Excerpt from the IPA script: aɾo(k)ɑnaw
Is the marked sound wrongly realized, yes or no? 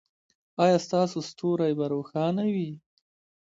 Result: yes